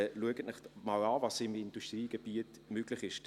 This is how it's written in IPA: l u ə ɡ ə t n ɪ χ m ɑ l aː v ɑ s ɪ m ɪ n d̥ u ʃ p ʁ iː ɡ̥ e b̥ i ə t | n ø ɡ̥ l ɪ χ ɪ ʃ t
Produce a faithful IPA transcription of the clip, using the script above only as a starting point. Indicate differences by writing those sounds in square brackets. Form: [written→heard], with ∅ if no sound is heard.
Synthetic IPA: l u ə ɡ ə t n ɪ χ m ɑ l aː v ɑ s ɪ m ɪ n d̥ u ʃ [p→t] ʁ iː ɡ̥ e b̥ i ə t | [n→m] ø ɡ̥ l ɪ χ ɪ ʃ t